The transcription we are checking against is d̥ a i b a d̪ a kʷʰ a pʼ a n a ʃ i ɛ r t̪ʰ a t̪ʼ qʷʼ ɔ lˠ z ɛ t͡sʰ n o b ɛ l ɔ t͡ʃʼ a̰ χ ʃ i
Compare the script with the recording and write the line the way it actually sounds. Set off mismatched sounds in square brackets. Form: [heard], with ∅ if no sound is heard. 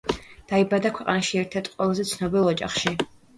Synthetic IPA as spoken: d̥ a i b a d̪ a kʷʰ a [qʼ] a n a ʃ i ɛ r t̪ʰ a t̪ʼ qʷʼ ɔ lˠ z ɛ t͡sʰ n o b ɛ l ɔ t͡ʃʼ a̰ χ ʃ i